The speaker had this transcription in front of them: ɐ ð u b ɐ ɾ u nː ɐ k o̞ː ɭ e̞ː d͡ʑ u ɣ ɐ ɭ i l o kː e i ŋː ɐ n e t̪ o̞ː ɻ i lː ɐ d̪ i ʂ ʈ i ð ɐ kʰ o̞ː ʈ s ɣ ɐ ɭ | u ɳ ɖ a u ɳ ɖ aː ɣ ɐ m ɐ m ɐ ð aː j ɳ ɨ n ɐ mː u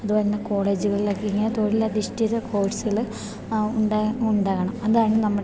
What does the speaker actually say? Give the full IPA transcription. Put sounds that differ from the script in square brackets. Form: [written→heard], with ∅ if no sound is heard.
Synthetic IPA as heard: ɐ ð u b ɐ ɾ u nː ɐ k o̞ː ɭ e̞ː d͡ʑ u ɣ ɐ ɭ i l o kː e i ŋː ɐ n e t̪ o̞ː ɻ i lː ɐ d̪ i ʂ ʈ i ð ɐ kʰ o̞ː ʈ s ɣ ɐ ɭ | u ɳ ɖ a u ɳ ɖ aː ɣ ɐ [m→ɳ] ɐ m ɐ ð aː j ɳ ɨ n ɐ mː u